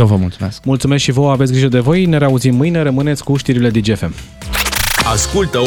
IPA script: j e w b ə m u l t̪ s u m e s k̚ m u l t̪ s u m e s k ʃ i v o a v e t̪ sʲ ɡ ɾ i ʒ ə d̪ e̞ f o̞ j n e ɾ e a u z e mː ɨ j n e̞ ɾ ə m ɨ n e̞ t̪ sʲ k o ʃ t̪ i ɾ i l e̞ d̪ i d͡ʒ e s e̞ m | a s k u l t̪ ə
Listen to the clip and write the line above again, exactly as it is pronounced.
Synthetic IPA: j e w v ə m u l t̪ s u m e s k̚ m u l t̪ s u m e s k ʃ i v o a v e t̪ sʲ ɡ ɾ i ʒ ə d̪ e̞ v o̞ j n e ɾ e a u z i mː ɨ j n e̞ ɾ ə m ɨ n e̞ t̪ sʲ k u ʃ t̪ i ɾ i l e̞ d̪ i d͡ʒ e f e̞ m | a s k u l t̪ ə